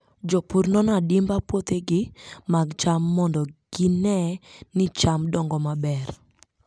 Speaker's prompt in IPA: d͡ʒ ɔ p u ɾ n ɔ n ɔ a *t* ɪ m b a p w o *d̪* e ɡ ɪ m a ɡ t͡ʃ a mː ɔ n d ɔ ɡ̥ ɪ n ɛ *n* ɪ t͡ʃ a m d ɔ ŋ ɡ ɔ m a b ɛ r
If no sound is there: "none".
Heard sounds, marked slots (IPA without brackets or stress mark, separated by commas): d, t̪, n